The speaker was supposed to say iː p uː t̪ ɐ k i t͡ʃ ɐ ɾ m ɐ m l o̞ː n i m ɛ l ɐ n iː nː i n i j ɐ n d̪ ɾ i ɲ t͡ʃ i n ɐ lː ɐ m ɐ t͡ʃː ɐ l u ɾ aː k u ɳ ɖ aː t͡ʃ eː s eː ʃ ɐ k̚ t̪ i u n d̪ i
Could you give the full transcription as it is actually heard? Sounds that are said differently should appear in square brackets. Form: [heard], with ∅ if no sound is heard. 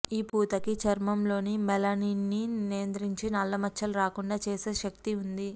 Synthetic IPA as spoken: iː p uː t̪ ɐ k i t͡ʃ ɐ ɾ m ɐ m l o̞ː n i m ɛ l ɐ n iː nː i n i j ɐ n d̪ ɾ i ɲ t͡ʃ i n ɐ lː ɐ m ɐ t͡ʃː ɐ l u ɾ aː k u ɳ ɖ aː t͡ʃ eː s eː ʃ ɐ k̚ t̪ i u n d̪ i